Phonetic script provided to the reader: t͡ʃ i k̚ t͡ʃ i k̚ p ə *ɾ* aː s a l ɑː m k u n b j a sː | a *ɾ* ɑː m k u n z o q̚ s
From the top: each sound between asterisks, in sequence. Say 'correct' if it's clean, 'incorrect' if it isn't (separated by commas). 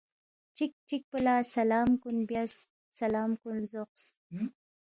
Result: incorrect, incorrect